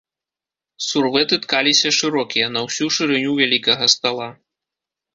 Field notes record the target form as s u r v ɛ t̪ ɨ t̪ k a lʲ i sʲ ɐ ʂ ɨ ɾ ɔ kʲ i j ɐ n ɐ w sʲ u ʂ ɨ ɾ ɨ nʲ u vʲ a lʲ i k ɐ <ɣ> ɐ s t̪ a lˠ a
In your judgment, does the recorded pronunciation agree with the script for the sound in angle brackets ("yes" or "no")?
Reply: yes